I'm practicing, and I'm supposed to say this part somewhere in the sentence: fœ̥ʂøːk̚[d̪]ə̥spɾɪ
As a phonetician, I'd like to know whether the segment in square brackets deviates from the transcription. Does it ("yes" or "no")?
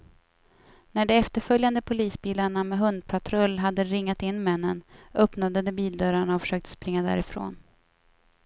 yes